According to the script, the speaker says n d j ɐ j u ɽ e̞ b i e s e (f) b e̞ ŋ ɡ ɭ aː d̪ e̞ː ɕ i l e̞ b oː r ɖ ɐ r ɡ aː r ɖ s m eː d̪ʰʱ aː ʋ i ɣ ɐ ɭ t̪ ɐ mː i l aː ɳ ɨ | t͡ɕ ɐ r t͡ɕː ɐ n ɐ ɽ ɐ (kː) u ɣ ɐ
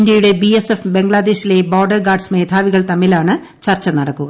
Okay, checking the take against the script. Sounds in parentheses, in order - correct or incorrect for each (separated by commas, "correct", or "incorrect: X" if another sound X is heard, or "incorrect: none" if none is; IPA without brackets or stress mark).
correct, correct